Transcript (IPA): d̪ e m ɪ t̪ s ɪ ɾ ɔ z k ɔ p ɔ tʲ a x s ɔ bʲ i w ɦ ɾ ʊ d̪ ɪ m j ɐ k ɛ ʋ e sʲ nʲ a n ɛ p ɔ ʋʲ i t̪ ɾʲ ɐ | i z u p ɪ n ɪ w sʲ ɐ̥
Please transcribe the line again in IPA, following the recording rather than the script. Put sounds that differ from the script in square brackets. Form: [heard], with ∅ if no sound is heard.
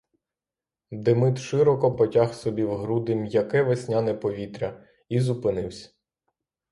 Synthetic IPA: d̪ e m ɪ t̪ [ʃ] ɪ ɾ ɔ [∅] k ɔ p ɔ tʲ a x s ɔ bʲ i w ɦ ɾ [u] d̪ ɪ m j ɐ k ɛ ʋ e sʲ nʲ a n ɛ p ɔ ʋʲ i t̪ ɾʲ ɐ | i z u p ɪ n ɪ w sʲ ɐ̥